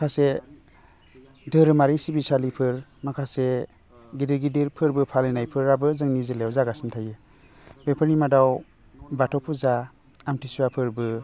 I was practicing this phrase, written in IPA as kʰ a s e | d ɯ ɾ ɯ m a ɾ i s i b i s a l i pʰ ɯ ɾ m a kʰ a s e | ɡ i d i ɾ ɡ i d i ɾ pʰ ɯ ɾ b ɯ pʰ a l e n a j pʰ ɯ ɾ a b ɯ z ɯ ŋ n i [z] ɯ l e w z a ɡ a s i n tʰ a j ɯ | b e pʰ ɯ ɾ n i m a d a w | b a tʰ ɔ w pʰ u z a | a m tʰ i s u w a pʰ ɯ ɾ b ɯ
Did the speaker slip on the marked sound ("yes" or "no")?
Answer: no